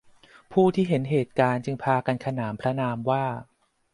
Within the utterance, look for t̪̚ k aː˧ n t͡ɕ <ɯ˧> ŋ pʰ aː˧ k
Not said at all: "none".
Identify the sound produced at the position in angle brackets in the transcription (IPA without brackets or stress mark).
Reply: ɯ˧